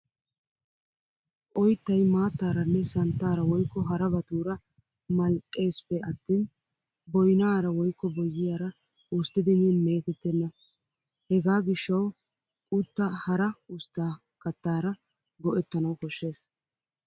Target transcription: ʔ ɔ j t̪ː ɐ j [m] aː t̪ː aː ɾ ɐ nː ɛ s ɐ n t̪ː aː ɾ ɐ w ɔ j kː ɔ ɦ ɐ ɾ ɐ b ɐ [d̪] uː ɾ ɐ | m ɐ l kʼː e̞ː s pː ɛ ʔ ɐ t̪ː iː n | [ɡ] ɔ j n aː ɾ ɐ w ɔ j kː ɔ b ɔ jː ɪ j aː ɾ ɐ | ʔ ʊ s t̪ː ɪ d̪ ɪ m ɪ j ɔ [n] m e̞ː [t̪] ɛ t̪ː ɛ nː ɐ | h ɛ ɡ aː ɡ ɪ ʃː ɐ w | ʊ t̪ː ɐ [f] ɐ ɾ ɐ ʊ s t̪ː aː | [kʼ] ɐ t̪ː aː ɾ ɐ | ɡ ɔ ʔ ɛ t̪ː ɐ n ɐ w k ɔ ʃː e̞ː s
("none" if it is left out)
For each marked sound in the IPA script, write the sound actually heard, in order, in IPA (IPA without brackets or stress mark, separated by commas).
m, t̪, b, n, t̪, h, k